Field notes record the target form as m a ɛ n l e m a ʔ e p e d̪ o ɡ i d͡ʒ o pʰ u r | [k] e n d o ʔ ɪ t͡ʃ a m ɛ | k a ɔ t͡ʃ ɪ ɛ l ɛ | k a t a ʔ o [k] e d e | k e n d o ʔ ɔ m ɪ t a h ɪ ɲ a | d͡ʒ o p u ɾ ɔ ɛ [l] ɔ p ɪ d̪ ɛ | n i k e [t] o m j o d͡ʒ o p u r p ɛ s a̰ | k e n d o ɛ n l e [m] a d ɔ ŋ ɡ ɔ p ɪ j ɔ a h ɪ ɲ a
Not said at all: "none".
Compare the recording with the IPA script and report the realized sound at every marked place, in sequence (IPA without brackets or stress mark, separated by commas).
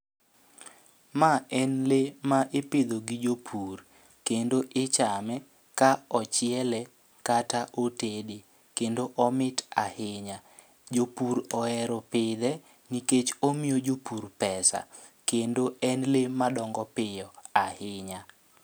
k, t, ɾ, t͡ʃ, m